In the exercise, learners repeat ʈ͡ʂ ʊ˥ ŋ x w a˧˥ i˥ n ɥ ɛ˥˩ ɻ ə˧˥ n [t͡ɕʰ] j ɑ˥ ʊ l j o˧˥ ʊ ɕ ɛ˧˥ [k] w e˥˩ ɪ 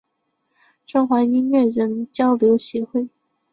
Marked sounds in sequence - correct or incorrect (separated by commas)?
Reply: incorrect, incorrect